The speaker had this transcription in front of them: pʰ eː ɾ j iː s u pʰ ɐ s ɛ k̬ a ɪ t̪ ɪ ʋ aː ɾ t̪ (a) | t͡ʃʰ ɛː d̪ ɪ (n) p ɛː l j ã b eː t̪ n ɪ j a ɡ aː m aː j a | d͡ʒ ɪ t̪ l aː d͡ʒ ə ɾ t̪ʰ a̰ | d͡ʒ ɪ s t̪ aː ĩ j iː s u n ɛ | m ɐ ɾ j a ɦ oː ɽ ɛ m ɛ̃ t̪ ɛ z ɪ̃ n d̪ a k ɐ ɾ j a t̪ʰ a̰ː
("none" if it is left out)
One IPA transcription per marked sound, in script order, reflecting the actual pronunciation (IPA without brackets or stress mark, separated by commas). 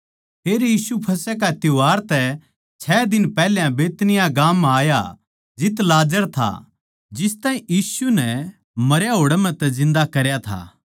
ɛ, n